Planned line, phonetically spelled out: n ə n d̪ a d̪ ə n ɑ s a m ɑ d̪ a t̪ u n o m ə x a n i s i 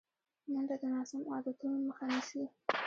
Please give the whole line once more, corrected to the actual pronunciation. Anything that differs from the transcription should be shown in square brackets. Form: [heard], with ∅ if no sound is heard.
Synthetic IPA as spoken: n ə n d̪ a d̪ ə n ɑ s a m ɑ d̪ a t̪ u n o m ə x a n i s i